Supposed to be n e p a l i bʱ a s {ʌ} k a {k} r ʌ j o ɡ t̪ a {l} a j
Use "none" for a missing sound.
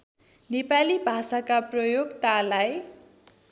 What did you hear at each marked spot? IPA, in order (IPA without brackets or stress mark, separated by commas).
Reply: a, p, l